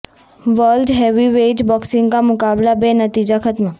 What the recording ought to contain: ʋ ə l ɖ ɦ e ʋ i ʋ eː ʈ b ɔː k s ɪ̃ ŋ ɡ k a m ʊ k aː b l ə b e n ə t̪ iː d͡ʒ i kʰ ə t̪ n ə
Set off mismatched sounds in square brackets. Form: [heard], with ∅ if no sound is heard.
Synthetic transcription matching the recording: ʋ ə l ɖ ɦ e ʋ i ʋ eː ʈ b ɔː k s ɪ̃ ŋ ɡ k a m ʊ k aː b l [a] b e n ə t̪ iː d͡ʒ [a] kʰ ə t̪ [m] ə